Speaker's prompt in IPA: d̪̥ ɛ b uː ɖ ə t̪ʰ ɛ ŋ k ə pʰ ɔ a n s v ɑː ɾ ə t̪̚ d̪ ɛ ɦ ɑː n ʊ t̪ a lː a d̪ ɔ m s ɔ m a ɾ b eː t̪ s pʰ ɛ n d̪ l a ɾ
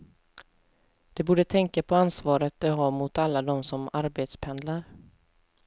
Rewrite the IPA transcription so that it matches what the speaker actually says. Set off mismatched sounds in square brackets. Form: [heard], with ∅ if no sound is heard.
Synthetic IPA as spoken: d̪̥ ɛ b uː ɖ ə t̪ʰ ɛ ŋ k [a] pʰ ɔ a n s v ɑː ɾ ə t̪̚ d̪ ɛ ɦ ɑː [m] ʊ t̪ a lː a d̪ ɔ m s ɔ m a ɾ b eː t̪ s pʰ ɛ n d̪ l a ɾ